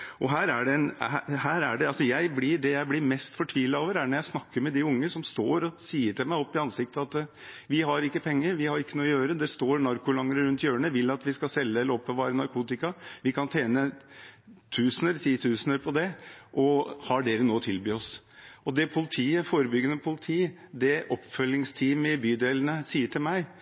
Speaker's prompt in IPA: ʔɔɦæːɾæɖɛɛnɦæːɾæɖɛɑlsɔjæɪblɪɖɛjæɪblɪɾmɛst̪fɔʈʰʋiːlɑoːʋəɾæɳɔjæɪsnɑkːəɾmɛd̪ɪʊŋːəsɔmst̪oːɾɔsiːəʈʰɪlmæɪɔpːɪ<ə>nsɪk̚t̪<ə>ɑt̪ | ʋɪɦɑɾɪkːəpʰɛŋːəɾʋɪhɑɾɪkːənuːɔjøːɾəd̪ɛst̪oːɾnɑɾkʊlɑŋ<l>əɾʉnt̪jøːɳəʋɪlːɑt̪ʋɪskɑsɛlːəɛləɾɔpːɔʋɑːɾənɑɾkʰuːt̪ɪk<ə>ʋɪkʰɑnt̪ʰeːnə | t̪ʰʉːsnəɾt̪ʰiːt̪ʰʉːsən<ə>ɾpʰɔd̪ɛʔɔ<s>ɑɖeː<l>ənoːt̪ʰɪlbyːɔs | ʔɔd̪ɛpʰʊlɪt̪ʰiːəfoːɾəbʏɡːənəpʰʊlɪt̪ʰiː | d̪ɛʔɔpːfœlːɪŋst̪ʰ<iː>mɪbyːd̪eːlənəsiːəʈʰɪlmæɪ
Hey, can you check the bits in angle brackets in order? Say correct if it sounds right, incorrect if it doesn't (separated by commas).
incorrect, correct, incorrect, incorrect, correct, incorrect, incorrect, correct